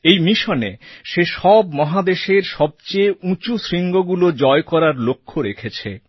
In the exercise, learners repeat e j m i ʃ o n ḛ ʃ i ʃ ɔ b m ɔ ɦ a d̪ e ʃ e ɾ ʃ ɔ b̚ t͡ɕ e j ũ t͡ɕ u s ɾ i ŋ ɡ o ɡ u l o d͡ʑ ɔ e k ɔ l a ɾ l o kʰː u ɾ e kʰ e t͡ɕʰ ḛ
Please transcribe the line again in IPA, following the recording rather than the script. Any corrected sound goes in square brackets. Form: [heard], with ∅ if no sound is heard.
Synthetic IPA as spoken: e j m i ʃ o n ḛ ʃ [e] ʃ ɔ b m ɔ ɦ a d̪ e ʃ e ɾ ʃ ɔ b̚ t͡ɕ e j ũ t͡ɕ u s ɾ i ŋ ɡ o ɡ u l o d͡ʑ ɔ e k ɔ [ɾ] a ɾ l o kʰː [o] ɾ e kʰ e t͡ɕʰ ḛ